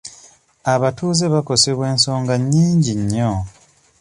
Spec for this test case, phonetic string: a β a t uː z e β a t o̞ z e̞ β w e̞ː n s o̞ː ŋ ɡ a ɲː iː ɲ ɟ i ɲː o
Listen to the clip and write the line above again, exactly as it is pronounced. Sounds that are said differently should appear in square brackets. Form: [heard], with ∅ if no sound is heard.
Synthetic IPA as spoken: a β a t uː z e β a [k] o̞ [s] e̞ β w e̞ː n s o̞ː ŋ ɡ a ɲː iː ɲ ɟ i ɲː o